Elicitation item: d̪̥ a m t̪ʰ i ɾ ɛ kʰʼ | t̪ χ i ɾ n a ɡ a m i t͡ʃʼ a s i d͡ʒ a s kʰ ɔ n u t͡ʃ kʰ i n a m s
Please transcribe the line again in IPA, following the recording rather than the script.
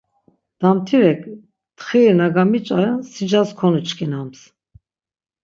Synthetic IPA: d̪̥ a m t̪ʰ i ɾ ɛ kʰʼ | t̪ χ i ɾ n a ɡ a m i t͡ʃʼ a s i d͡ʒ a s kʰ ɔ n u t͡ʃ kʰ i n a m s